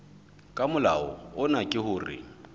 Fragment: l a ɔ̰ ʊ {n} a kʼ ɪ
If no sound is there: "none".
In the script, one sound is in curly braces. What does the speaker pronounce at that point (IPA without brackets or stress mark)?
n